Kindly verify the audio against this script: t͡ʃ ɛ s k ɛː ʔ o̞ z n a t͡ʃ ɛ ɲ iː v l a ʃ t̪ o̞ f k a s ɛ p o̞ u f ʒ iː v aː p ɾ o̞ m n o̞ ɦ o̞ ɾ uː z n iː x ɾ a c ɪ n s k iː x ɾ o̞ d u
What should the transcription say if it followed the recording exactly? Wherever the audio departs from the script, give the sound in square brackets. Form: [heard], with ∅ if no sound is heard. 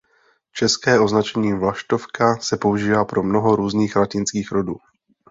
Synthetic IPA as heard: t͡ʃ ɛ s k ɛː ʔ o̞ z n a t͡ʃ ɛ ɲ iː v l a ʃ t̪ o̞ f k a s ɛ p o̞ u [∅] ʒ iː v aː p ɾ o̞ m n o̞ ɦ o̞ ɾ uː z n iː x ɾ a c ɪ n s k iː x ɾ o̞ d [uː]